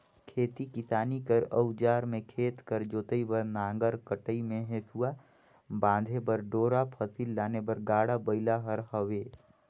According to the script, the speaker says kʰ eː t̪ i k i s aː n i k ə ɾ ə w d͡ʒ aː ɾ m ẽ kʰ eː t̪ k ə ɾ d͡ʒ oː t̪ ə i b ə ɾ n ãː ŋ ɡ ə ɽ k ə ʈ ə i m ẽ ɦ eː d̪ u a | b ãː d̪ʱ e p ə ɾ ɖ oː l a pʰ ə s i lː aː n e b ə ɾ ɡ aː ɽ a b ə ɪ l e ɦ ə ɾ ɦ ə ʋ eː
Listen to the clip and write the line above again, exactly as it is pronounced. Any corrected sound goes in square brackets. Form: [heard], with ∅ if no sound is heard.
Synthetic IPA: kʰ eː t̪ i k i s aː n i k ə ɾ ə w d͡ʒ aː ɾ m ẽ kʰ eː t̪ k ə ɾ d͡ʒ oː t̪ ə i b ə ɾ n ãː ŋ ɡ ə [ɾ] k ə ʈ ə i m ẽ ɦ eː [t̪] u a | b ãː d̪ʱ e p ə ɾ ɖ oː [ɾ] a pʰ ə s i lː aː n e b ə ɾ ɡ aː ɽ a b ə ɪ l [a] ɦ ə ɾ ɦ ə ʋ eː